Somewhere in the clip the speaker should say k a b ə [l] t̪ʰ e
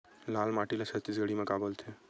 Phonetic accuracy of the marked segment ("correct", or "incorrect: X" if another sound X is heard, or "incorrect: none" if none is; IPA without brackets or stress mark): correct